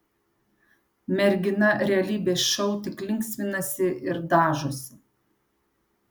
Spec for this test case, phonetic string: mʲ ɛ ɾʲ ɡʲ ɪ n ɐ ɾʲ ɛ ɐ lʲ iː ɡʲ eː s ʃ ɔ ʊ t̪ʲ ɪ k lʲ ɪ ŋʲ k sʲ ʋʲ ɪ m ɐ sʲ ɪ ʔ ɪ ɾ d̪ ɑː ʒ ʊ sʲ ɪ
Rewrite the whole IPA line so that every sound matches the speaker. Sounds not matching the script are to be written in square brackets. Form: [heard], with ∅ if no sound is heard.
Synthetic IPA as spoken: mʲ ɛ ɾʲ ɡʲ ɪ n ɐ ɾʲ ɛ ɐ lʲ iː [bʲ] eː s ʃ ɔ ʊ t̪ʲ ɪ k lʲ ɪ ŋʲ k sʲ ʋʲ ɪ [n] ɐ sʲ ɪ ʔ ɪ ɾ d̪ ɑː ʒ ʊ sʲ ɪ

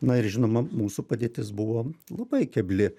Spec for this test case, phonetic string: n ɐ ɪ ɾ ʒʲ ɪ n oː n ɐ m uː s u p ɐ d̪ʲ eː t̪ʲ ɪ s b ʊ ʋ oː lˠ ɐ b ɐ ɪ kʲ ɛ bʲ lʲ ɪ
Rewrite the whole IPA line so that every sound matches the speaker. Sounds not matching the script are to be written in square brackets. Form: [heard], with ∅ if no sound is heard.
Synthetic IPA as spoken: n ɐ ɪ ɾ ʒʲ ɪ n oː [m] ɐ m uː s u p ɐ d̪ʲ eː t̪ʲ ɪ s b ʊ ʋ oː lˠ ɐ b ɐ ɪ kʲ ɛ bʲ lʲ ɪ

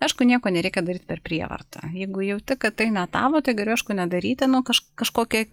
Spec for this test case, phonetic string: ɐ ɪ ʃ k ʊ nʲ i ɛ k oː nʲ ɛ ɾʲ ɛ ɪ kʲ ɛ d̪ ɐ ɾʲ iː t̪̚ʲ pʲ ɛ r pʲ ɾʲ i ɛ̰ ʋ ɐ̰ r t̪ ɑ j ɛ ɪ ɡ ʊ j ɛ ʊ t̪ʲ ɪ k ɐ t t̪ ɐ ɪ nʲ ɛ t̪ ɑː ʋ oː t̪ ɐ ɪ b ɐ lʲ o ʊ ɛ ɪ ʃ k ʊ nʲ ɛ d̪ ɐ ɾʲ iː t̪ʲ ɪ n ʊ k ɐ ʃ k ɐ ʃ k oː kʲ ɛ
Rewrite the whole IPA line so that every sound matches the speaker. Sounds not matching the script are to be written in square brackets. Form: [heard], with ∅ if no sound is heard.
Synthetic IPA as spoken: ɐ ɪ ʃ k ʊ nʲ i ɛ k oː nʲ ɛ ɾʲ ɛ ɪ kʲ ɛ d̪ ɐ ɾʲ iː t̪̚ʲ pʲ ɛ r pʲ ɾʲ i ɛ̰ ʋ ɐ̰ r t̪ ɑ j ɛ ɪ ɡ ʊ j ɛ ʊ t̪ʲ ɪ k ɐ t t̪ ɐ ɪ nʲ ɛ t̪ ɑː ʋ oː t̪ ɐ ɪ [ɡ] ɐ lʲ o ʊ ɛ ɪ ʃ k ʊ nʲ ɛ d̪ ɐ ɾʲ iː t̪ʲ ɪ n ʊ k ɐ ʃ k ɐ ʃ k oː kʲ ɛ

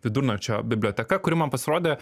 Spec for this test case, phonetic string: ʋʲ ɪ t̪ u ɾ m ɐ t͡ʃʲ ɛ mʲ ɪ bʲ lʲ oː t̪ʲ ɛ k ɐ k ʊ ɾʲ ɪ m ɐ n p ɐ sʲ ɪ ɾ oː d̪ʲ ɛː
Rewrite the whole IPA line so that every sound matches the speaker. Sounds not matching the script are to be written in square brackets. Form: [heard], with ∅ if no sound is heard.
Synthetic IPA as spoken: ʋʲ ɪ [d̪] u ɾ [n] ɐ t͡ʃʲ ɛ [bʲ] ɪ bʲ lʲ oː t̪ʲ ɛ k ɐ k ʊ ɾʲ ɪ m ɐ n p ɐ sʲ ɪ ɾ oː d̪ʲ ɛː

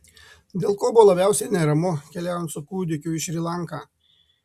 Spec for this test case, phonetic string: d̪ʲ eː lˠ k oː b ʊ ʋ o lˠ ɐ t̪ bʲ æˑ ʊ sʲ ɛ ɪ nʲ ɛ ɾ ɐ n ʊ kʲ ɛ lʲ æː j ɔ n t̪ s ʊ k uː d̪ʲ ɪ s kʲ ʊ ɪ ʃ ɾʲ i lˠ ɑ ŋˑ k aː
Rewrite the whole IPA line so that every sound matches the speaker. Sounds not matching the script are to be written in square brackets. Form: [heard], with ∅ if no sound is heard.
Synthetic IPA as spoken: d̪ʲ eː lˠ k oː b ʊ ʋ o lˠ ɐ [∅] bʲ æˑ ʊ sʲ ɛ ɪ nʲ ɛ ɾ ɐ [m] ʊ kʲ ɛ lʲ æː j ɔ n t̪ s ʊ k uː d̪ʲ ɪ [∅] kʲ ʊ ɪ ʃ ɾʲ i lˠ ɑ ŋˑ k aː

